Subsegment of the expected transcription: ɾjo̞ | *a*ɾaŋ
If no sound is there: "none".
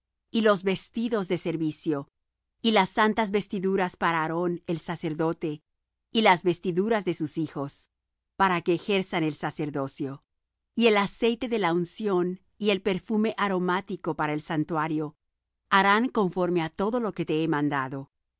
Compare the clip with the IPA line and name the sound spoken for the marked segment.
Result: a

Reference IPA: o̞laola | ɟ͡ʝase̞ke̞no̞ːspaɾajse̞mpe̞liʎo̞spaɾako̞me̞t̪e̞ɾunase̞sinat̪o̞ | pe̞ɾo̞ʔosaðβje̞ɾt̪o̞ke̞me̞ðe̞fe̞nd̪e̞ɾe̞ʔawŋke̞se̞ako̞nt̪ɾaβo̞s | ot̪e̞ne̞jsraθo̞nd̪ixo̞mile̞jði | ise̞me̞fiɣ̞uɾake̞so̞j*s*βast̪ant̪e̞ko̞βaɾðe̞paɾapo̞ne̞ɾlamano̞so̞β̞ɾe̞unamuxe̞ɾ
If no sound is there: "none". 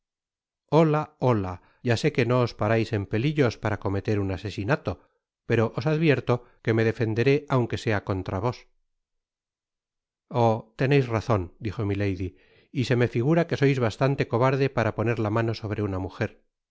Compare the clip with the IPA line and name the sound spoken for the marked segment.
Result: z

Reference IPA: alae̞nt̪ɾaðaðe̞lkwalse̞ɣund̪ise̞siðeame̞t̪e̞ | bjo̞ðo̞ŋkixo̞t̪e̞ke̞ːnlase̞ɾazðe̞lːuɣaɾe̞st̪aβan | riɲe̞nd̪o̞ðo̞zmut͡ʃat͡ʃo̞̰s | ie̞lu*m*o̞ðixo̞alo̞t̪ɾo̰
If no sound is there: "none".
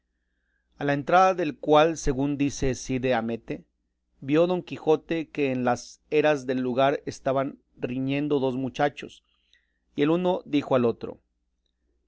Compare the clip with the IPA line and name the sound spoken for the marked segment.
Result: n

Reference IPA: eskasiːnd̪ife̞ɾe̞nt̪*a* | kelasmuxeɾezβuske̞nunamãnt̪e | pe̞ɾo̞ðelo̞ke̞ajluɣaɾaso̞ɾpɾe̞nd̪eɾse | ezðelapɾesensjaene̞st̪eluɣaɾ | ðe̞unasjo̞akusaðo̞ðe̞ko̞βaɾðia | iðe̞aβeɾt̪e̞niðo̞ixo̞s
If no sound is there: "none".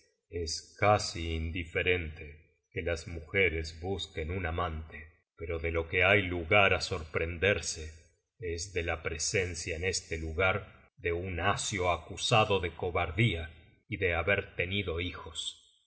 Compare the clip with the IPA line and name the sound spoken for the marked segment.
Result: e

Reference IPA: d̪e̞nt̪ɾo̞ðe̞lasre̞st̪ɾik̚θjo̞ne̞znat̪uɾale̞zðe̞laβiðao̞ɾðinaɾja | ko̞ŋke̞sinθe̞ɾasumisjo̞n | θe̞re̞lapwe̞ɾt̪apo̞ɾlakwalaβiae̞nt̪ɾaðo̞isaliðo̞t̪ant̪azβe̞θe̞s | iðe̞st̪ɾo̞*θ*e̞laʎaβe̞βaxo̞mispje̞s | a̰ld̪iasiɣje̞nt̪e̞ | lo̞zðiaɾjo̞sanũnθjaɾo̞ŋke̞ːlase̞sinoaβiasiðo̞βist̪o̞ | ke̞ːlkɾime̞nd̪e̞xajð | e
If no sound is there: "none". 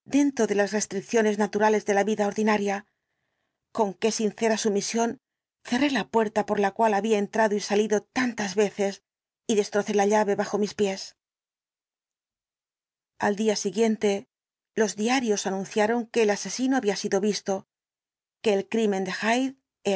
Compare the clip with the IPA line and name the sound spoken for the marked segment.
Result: θ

